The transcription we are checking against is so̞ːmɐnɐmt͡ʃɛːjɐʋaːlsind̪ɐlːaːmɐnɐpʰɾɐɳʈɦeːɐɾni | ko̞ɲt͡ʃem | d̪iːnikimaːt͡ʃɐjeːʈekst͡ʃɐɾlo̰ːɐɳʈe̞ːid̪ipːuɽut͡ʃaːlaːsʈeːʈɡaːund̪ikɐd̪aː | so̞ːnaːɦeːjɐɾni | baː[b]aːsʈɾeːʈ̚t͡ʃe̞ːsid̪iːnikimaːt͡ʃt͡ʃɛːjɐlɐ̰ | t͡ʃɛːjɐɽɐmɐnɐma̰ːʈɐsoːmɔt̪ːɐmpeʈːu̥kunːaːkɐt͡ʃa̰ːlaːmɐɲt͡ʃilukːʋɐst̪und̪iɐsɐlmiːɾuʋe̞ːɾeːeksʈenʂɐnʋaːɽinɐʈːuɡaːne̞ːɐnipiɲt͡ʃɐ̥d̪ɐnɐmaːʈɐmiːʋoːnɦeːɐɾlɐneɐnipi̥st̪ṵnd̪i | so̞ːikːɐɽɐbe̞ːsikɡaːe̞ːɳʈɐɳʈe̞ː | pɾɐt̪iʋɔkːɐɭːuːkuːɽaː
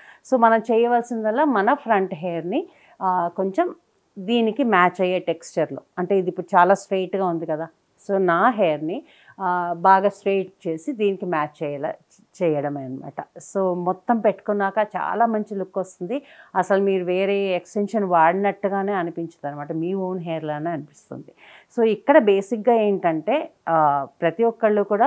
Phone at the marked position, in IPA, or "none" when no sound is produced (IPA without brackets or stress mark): ɡ